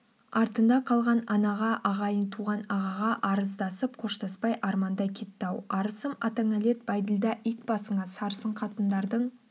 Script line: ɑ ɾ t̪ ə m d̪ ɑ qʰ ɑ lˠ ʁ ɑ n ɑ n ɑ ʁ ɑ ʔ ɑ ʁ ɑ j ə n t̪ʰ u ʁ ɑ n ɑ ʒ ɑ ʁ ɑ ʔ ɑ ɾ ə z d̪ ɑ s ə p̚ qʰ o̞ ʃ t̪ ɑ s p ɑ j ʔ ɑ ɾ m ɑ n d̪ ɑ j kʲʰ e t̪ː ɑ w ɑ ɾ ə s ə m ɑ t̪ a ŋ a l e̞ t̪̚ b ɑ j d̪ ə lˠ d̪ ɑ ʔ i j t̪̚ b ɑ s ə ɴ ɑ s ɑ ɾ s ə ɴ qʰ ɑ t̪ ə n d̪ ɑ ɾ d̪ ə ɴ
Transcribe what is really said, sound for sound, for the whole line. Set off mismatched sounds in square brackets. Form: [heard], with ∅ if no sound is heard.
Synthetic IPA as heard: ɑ ɾ t̪ ə [n] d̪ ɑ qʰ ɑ lˠ ʁ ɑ n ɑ n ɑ ʁ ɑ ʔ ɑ ʁ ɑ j ə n t̪ʰ u ʁ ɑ n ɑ [ʁ] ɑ ʁ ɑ ʔ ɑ ɾ ə z d̪ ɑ s ə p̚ qʰ o̞ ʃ t̪ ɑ s p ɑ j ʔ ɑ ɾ m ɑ n d̪ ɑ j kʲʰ e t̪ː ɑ w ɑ ɾ ə s ə m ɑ t̪ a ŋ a l e̞ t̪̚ b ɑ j d̪ ə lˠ d̪ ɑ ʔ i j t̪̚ b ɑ s ə ɴ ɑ s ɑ ɾ s ə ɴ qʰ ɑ t̪ ə n d̪ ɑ ɾ d̪ ə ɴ